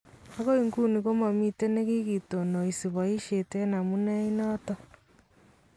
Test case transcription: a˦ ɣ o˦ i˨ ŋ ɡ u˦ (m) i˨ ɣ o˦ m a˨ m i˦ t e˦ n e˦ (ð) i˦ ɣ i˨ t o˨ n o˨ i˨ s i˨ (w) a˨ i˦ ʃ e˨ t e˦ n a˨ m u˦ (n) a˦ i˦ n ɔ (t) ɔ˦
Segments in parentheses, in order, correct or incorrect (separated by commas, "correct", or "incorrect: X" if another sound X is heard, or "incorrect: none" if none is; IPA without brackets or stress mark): incorrect: n, incorrect: ɣ, incorrect: β, correct, correct